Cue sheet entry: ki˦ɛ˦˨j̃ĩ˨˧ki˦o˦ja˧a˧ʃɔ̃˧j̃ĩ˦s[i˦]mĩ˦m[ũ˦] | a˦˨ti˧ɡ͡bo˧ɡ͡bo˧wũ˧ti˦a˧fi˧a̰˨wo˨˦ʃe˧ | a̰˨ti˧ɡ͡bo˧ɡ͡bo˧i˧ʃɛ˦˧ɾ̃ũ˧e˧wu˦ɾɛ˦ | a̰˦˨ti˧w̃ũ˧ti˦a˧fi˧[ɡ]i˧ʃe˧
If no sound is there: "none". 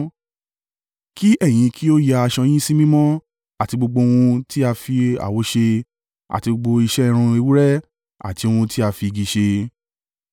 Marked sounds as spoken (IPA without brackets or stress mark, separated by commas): i˦, ɔ̃˦, ɡ